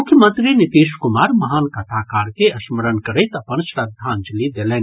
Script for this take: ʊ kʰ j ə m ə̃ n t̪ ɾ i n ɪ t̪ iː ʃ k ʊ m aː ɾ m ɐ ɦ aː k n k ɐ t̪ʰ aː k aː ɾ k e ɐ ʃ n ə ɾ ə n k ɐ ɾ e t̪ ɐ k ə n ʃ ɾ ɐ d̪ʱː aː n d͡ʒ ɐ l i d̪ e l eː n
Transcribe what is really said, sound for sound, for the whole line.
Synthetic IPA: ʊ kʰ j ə m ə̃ n t̪ ɾ i n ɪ t̪ iː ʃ k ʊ m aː ɾ m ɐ ɦ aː n k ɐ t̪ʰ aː k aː ɾ k e ɐ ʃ m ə ɾ ə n k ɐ ɾ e t̪ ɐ p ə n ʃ ɾ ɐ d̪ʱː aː n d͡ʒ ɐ l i d̪ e l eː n